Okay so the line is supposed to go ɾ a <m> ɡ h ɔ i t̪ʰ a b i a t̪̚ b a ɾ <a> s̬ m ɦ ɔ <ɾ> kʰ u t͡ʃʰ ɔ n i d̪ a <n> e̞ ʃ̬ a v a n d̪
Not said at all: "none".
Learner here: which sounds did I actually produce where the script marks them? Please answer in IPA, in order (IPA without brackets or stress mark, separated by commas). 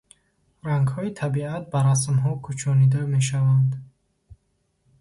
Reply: ŋ, a, none, m